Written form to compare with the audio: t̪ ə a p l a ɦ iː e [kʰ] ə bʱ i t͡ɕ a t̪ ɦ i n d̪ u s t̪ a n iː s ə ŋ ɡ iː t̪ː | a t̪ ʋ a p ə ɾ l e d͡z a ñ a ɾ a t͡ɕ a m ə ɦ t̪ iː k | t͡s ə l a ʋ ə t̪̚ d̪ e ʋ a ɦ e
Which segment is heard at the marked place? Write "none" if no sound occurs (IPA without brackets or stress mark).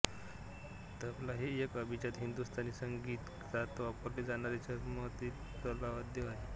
k